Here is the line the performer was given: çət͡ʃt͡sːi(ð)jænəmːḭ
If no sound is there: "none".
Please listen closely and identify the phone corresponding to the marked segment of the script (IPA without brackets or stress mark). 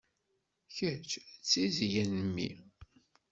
z